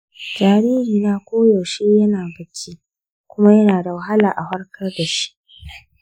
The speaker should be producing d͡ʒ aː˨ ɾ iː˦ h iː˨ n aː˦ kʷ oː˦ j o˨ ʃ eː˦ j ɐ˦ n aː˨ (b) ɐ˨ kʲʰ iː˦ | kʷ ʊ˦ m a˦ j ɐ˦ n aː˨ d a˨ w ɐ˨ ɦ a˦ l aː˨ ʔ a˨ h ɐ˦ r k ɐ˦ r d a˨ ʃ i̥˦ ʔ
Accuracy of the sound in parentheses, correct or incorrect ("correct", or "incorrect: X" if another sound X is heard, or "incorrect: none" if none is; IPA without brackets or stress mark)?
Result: correct